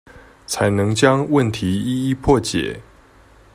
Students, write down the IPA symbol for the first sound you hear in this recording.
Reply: t͡sʰ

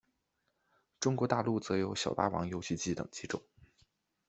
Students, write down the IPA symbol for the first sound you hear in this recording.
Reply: ʈ͡ʂ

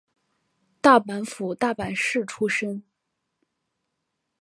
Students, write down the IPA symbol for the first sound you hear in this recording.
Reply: t̪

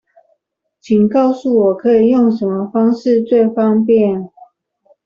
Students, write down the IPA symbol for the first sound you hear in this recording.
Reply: t͡ɕʰ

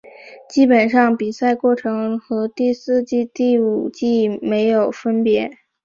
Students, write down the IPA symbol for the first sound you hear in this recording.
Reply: t͡ɕ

